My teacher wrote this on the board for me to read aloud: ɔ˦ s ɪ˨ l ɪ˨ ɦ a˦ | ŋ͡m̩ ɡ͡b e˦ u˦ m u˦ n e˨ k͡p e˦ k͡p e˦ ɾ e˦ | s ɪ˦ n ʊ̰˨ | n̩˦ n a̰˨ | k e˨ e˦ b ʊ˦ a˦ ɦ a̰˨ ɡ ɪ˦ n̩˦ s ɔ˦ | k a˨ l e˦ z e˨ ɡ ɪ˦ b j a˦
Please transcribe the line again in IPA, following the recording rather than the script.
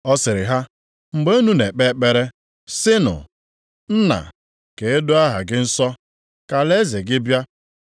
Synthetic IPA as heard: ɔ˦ s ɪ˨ ɾ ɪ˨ ɦ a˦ | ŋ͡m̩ ɡ͡b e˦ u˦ n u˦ n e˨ k͡p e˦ k͡p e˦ ɾ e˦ | s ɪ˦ n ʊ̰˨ | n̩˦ n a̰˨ | k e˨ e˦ d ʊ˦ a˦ ɦ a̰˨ ɡ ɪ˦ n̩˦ s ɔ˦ | k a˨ l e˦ z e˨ ɡ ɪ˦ b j a˦